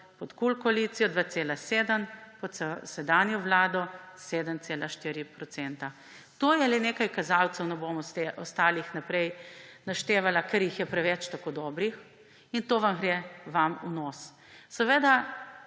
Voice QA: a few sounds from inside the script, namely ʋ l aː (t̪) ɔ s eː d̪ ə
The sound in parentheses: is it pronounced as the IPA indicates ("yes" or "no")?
no